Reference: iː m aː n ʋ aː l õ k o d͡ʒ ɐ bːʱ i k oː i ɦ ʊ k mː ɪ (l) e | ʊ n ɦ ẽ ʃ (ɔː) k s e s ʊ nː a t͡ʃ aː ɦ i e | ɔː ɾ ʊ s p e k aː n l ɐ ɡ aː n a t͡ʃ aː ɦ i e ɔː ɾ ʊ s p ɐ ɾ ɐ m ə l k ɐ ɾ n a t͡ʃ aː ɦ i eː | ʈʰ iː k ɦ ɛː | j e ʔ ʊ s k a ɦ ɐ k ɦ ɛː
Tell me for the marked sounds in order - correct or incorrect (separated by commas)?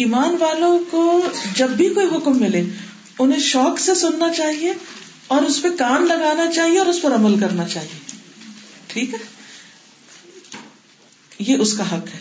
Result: correct, correct